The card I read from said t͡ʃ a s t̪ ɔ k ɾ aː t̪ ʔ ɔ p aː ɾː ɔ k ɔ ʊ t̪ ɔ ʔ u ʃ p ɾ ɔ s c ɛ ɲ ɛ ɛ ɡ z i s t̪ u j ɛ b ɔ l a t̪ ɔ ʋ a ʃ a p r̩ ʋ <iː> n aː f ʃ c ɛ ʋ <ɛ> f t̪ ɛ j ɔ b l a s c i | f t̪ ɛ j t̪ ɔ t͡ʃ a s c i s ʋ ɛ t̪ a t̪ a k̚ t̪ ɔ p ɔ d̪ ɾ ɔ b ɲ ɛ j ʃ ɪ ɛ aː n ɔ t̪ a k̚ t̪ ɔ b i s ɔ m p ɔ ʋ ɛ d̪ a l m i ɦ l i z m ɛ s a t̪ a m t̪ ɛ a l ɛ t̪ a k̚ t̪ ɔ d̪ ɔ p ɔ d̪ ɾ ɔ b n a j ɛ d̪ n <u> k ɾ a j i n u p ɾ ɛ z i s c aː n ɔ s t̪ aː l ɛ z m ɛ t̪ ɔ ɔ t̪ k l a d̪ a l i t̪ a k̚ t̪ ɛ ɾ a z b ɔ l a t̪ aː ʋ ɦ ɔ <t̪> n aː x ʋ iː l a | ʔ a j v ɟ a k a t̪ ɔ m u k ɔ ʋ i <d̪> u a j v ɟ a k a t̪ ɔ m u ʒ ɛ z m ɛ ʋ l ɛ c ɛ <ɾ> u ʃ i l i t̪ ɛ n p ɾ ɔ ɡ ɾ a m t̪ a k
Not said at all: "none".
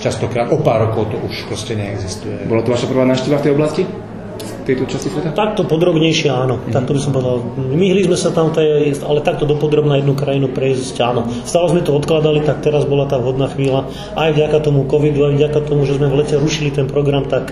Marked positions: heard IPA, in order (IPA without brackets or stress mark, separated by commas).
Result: aː, a, u, d̪, d̪, ɾ